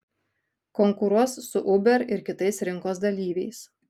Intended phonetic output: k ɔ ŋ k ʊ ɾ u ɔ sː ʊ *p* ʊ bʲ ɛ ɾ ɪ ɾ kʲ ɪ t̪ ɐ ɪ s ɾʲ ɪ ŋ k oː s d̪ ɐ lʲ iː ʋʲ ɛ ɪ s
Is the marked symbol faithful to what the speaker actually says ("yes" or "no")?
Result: no